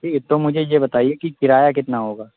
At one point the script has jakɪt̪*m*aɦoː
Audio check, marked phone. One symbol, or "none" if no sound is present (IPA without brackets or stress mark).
n